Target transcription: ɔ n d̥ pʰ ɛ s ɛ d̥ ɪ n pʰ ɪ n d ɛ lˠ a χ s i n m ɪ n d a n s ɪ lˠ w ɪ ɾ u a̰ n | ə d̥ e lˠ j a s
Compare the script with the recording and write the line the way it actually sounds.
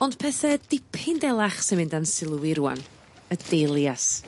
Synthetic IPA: ɔ n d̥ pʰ ɛ θ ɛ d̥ ɪ pʰ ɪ n d ɛ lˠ a χ s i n m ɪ n d a n s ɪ lˠ w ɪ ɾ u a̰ n | ə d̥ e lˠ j a s

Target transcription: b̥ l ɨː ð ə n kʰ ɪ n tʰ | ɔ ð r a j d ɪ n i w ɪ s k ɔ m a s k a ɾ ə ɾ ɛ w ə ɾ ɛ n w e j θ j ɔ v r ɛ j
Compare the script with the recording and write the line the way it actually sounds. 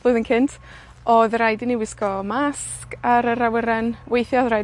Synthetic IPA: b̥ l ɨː ð ə n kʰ ɪ n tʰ | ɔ ð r a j d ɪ n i w ɪ s k ɔ m a s k a ɾ ə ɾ a w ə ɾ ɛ n w e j θ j ɔ ð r a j

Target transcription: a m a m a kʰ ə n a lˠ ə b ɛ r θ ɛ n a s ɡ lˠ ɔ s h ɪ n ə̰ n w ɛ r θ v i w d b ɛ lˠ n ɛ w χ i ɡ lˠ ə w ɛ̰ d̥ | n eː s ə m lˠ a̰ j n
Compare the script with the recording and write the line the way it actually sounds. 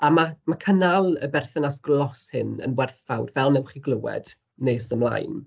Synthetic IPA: a m a m a kʰ ə n a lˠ ə b ɛ r θ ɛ n a s ɡ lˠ ɔ s h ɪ n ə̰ n w ɛ r θ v a w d v ɛ lˠ n ɛ w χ i ɡ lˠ ə w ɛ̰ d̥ | n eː s ə m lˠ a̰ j n

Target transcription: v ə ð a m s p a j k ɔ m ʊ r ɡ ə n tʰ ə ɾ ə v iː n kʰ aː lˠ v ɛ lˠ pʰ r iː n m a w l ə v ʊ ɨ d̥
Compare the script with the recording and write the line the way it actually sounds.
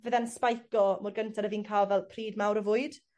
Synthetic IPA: v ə ð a n s p a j k ɔ m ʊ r ɡ ə n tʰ a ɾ ə v iː n kʰ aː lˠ v ɛ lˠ pʰ r iː d m a w ɾ ə v ʊ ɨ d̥

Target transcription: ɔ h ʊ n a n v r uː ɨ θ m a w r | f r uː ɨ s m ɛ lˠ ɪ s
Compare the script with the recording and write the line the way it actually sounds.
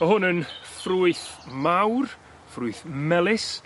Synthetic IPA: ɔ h ʊ n ə n f r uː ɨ θ m a w r | f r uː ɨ θ m ɛ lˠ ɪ s

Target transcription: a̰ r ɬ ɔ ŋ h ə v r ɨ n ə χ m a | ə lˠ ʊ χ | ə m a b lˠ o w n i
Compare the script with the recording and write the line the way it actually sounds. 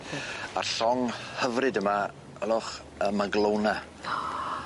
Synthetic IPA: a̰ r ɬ ɔ ŋ h ə v r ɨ d ə m a | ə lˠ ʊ χ | ə m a ɡ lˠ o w n a

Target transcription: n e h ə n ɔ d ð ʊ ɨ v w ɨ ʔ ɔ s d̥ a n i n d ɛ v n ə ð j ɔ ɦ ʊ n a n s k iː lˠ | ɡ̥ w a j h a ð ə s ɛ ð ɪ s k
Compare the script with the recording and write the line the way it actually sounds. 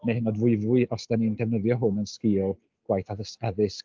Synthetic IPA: n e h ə n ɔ d v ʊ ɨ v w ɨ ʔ ɔ s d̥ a n i n d ɛ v n ə ð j ɔ ɦ ʊ n ə n s k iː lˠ | ɡ̥ w a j θ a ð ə s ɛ ð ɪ s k

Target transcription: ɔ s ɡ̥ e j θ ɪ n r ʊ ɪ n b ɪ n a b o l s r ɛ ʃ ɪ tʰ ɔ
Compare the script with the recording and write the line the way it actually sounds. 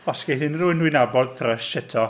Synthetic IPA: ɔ s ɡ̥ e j θ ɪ n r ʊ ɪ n w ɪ n a b ɔ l θ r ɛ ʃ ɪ tʰ ɔ

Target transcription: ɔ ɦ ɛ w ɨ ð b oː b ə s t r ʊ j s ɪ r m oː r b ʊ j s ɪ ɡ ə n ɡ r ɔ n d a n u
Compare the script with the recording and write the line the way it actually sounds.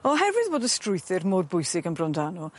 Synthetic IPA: ɔ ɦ ɛ v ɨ ð b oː d ə s t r ʊ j θ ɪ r m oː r b ʊ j s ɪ ɡ ə n b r ɔ n d a n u

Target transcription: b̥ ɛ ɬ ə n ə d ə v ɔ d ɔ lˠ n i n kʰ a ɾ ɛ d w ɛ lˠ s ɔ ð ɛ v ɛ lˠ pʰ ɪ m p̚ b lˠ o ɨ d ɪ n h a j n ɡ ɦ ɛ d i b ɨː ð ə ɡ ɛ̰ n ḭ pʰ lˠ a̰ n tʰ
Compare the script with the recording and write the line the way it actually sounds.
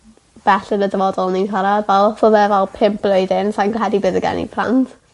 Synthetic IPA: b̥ ɛ ɬ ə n ə d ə v ɔ d ɔ lˠ n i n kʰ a ɾ a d v ɛ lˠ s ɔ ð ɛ v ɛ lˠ pʰ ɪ m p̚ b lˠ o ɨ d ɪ n s a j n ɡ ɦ ɛ d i b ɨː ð ə ɡ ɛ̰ n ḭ pʰ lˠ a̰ n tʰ

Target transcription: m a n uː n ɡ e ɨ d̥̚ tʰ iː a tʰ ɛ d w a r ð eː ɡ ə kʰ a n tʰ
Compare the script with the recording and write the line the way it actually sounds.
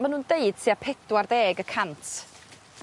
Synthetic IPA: m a n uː n d e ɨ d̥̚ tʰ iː a pʰ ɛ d w a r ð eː ɡ ə kʰ a n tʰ

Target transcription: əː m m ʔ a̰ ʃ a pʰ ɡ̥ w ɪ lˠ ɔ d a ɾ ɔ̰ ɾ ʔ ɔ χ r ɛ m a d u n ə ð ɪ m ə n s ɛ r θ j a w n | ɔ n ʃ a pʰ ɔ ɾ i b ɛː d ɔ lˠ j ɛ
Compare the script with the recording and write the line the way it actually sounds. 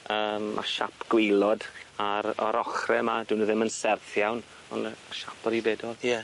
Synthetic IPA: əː m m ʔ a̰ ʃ a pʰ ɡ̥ w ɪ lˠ ɔ d a ɾ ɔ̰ ɾ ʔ ɔ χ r ɛ m a d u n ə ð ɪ m ə n s ɛ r θ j a w n | ɔ n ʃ a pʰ ɔ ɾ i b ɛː d ɔ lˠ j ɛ

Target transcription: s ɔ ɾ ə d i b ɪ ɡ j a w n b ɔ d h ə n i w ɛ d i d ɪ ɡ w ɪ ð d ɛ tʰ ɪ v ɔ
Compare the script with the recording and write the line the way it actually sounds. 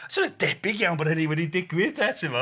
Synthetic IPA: s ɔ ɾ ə d ɛ b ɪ ɡ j a w n b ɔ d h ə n i w ɛ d i d ɪ ɡ w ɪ ð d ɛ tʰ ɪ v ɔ

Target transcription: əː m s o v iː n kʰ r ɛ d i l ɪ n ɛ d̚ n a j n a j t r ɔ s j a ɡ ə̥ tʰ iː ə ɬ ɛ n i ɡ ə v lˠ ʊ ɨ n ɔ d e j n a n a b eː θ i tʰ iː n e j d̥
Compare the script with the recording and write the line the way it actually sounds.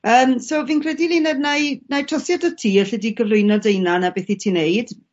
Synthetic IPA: əː m s o v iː n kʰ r ɛ d i l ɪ n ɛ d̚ n a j n a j t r ɔ s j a d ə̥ tʰ iː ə ɬ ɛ d i ɡ ə v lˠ ʊ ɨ n ɔ d e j n a n a b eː θ i tʰ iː n e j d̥

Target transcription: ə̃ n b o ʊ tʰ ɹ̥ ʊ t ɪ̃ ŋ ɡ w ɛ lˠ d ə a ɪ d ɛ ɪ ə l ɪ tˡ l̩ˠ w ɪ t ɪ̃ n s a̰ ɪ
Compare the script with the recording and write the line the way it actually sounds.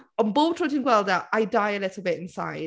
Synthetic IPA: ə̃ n b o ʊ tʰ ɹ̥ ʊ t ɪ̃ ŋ ɡ w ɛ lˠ d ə a ɪ d a ɪ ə l ɪ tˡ l̩ˠ b ɪ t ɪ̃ n s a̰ ɪ

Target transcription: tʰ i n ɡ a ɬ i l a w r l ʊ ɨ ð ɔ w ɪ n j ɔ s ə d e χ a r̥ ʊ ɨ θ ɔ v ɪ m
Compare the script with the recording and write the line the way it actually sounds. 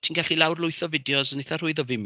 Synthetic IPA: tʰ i n ɡ a ɬ i l a w r l ʊ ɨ θ ɔ v ɪ d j ɔ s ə n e θ a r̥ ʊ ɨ ð ɔ v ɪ m

